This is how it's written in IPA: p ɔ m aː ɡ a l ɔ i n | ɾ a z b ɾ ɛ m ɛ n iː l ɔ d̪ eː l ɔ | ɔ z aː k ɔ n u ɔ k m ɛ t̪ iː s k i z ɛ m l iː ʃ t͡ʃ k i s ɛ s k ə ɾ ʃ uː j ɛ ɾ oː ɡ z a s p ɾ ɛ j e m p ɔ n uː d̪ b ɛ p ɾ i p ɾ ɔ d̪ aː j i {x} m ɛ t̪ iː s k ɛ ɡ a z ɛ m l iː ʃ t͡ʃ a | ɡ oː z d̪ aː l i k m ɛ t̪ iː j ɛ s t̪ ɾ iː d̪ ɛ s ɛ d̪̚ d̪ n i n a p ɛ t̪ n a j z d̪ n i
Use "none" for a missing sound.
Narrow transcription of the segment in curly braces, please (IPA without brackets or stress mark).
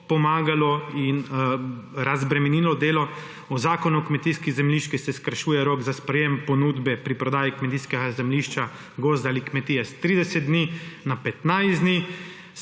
k